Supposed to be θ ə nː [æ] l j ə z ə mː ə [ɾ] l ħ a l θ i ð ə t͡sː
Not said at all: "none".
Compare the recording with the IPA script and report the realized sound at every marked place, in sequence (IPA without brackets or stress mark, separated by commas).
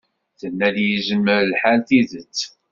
æ, ɾ